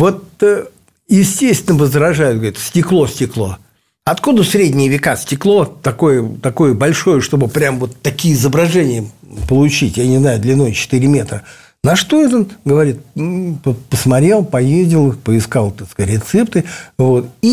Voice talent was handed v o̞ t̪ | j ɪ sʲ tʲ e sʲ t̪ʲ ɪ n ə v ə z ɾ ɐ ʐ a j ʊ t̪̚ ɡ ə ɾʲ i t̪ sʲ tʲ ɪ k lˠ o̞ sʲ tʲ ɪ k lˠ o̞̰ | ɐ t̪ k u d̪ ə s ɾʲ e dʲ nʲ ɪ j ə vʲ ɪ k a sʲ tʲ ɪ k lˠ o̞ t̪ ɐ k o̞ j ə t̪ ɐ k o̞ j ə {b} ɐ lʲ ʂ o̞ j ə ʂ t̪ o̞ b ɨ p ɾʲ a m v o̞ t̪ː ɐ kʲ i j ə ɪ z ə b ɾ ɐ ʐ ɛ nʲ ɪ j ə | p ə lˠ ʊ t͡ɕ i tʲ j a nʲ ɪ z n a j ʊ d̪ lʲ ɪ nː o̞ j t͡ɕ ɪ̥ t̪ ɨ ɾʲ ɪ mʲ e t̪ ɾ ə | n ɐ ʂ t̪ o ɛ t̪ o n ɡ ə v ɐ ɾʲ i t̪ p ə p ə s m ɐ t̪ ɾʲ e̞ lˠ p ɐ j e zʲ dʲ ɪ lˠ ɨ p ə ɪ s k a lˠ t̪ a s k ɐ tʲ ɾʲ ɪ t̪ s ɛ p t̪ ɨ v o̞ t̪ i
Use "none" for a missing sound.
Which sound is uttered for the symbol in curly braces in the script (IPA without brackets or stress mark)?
b